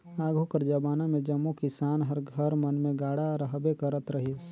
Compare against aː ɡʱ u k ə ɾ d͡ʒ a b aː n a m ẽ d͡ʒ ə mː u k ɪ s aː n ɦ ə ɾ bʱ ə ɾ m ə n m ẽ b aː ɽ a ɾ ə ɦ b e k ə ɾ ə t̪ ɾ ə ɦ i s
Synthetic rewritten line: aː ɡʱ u k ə ɾ d͡ʒ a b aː n a m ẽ d͡ʒ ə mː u k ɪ s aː n ɦ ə ɾ ɡʱ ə ɾ m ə n m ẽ ɡ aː ɽ a ɾ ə ɦ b e k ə ɾ ə t̪ ɾ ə ɦ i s